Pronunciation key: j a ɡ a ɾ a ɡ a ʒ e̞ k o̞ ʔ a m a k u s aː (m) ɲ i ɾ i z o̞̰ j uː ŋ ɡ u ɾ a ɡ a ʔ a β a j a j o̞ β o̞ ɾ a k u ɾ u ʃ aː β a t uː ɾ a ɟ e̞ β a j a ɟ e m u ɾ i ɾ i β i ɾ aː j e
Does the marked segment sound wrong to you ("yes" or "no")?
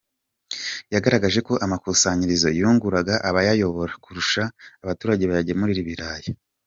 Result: yes